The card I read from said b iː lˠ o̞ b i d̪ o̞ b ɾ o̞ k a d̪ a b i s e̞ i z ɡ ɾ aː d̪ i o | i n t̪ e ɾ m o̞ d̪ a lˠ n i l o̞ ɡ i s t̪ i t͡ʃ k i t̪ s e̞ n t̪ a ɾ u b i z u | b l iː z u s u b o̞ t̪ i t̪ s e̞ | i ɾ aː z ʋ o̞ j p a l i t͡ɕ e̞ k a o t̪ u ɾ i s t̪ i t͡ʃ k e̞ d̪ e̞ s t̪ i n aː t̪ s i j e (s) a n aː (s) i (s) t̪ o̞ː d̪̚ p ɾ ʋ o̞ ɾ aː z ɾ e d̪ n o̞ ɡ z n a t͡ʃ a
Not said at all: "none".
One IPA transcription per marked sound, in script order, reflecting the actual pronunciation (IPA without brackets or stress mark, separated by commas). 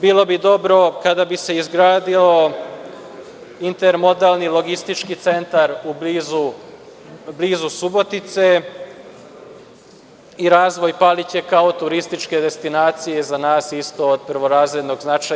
z, s, s